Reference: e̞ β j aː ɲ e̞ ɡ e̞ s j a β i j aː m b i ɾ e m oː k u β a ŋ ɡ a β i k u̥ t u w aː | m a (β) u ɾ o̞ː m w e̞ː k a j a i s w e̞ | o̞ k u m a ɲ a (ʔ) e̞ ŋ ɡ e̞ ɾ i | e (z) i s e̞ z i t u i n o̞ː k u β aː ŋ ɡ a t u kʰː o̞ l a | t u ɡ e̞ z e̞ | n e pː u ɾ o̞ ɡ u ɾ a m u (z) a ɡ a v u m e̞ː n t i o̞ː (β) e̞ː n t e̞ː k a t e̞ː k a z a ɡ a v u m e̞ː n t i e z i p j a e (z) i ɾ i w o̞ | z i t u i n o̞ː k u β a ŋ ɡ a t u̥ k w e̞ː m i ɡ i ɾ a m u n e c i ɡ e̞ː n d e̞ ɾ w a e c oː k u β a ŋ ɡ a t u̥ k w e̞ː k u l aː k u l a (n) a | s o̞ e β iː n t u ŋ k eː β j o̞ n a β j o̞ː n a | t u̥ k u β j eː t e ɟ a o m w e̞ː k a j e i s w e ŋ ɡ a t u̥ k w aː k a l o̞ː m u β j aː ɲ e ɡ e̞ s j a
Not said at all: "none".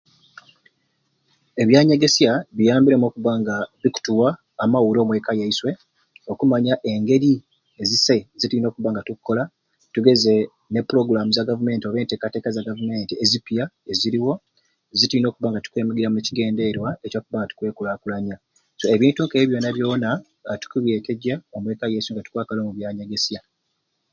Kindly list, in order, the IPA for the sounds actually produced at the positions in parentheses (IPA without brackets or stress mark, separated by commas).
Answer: w, ʔ, z, z, β, z, ɲ